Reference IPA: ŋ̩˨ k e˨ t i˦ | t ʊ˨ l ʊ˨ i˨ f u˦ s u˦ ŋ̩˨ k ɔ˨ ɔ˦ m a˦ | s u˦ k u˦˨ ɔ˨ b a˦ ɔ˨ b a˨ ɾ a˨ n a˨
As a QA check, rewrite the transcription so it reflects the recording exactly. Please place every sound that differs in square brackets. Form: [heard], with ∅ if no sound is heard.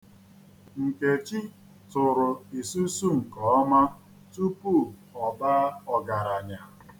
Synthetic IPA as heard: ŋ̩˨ k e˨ [t͡ʃ] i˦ | t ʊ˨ [ɾ] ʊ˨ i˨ [s] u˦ s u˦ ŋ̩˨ k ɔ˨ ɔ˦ m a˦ | [t] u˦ [p] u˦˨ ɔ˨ b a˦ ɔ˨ [ɡ] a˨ ɾ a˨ [ɲ] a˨